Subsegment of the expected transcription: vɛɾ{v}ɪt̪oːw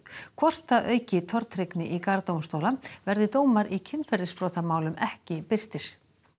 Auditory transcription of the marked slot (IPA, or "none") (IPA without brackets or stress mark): ð